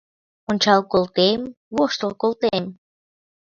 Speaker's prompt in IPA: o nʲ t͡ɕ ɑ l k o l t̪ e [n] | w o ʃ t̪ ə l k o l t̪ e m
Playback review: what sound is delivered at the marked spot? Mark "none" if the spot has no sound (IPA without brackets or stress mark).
m